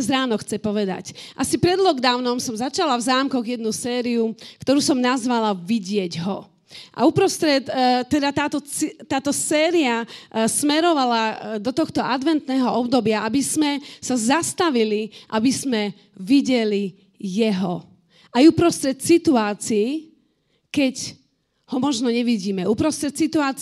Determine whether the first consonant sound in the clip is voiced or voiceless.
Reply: voiced